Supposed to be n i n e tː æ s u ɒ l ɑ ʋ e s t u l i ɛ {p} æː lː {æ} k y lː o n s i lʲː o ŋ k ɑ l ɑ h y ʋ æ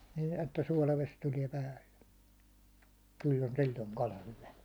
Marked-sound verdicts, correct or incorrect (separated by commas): correct, incorrect